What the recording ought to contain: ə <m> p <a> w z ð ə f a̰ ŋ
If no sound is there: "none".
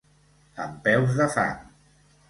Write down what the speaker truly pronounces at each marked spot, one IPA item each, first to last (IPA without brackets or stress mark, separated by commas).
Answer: m, ɛ